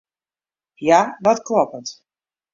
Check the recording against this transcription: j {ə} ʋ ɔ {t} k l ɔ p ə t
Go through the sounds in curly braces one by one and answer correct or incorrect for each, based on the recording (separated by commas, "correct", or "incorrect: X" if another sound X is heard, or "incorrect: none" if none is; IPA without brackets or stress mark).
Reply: incorrect: a, correct